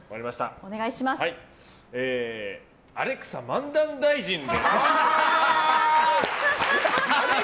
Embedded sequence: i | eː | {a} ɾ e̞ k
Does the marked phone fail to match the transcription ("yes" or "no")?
no